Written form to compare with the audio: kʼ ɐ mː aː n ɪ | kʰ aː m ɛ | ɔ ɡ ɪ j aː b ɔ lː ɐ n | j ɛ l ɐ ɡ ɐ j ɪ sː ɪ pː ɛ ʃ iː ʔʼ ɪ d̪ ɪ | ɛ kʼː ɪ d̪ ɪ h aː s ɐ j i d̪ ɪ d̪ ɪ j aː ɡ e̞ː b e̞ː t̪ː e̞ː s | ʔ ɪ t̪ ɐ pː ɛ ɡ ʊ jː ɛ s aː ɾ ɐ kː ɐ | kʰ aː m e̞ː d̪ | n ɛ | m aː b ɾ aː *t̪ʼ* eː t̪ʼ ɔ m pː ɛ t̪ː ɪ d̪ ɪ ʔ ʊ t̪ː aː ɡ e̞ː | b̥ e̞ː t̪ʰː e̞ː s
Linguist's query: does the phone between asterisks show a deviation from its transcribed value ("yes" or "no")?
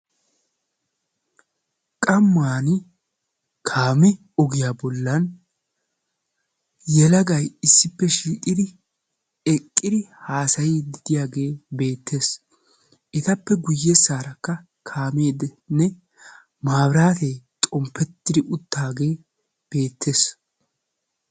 yes